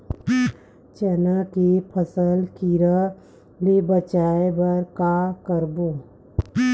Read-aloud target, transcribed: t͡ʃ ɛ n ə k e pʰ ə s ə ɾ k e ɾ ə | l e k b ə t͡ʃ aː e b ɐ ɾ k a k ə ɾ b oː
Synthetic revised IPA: t͡ʃ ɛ n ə k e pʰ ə s ə l k i ɾ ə | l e b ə t͡ʃ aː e b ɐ ɾ k a k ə ɾ b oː